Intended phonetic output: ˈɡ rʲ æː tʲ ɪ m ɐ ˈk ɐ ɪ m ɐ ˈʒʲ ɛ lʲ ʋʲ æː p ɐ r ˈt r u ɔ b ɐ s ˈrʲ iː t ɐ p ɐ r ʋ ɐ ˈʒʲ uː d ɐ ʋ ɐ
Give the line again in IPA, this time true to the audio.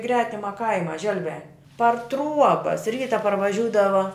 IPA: ˈɡ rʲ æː tʲ ɪ m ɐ ˈk ɐ ɪ m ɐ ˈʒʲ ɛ lʲ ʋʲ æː p ɐ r ˈt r u ɔ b ɐ s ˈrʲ iː t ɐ p ɐ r ʋ ɐ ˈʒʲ uː d ɐ ʋ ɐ